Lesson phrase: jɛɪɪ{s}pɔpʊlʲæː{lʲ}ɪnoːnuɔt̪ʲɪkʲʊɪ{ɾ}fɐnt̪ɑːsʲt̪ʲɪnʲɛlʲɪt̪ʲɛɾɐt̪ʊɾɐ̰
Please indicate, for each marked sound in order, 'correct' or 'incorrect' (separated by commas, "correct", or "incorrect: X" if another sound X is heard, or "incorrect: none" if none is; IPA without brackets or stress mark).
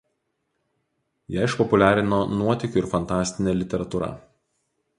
incorrect: ʃ, incorrect: ɾʲ, correct